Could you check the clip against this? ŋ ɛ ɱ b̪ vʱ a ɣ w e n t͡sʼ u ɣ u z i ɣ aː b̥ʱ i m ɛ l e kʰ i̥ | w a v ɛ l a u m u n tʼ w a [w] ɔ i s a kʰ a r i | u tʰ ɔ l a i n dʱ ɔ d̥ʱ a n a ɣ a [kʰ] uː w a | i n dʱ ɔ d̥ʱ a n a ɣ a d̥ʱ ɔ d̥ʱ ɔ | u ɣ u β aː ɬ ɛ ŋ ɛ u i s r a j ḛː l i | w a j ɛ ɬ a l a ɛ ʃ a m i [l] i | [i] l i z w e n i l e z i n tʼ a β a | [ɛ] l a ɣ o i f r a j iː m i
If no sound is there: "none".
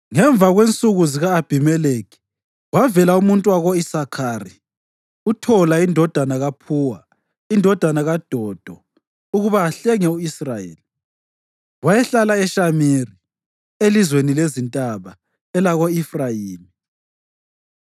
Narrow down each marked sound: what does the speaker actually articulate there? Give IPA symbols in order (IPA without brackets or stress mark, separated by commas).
ɣ, pʰ, r, e, ɛ